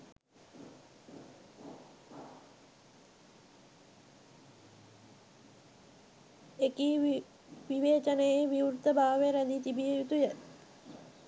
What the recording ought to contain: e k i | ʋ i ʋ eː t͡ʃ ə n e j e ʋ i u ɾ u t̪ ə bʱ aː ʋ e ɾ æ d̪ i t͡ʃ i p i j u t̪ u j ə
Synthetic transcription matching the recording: e k i | ʋ i ʋ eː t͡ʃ ə n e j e ʋ i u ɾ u t̪ ə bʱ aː ʋ e ɾ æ d̪ i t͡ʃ i b i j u t̪ u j ə